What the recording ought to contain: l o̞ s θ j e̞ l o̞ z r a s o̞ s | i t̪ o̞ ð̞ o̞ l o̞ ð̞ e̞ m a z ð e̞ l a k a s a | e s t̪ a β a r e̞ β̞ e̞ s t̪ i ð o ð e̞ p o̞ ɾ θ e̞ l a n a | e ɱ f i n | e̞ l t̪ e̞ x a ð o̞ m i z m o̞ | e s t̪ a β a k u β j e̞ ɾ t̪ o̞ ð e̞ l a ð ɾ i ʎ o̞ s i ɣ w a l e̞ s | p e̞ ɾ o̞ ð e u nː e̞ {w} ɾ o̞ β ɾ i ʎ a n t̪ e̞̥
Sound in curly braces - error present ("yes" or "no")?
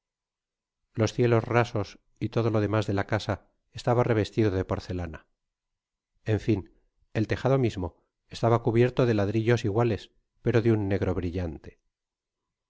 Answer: yes